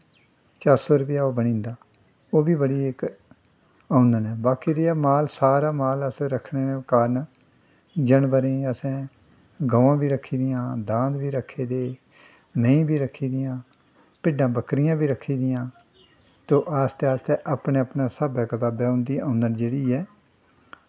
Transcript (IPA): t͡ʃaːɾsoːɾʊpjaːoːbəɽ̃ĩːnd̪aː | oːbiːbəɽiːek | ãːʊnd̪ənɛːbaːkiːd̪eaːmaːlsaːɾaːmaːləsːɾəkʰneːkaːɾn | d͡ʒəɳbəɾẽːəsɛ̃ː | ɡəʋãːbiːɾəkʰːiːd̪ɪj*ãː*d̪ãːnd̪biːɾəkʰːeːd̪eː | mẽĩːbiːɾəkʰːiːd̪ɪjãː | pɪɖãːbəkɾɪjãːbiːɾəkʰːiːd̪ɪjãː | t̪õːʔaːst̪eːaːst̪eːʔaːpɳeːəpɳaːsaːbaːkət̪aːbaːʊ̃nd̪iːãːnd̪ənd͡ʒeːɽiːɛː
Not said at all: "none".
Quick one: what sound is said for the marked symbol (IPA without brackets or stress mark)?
ãː